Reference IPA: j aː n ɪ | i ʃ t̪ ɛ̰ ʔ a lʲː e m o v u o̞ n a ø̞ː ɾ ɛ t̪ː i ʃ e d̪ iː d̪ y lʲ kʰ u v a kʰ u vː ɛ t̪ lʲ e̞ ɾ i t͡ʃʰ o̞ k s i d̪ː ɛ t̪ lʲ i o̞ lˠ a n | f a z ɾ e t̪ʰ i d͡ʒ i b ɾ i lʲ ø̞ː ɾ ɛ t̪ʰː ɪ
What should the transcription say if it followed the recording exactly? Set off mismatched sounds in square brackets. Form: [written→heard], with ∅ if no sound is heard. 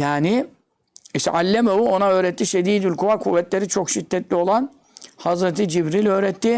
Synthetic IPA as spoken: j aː n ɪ | i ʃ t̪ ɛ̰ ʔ a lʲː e m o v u o̞ n a ø̞ː ɾ ɛ t̪ː i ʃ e d̪ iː d̪ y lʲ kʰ u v a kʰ u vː ɛ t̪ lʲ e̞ ɾ i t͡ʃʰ o̞ k [s→ʃ] i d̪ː ɛ t̪ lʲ i o̞ lˠ a n | [f→h] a z ɾ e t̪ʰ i d͡ʒ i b ɾ i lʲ ø̞ː ɾ ɛ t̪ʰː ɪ